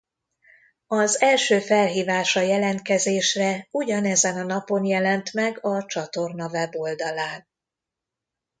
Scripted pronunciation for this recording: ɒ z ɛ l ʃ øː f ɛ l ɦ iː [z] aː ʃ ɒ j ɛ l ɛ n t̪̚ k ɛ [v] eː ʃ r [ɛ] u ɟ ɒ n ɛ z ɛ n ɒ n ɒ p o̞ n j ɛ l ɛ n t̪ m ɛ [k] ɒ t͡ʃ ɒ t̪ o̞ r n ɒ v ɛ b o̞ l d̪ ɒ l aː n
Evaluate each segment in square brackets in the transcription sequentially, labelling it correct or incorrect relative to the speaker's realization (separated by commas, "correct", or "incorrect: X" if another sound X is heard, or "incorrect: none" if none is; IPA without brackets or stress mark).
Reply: incorrect: v, incorrect: z, correct, incorrect: ɡ